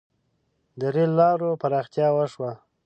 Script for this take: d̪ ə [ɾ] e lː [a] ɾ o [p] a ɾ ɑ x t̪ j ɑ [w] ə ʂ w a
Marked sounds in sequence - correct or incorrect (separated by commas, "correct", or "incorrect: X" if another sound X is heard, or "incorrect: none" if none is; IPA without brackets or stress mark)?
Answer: correct, incorrect: ɑ, correct, correct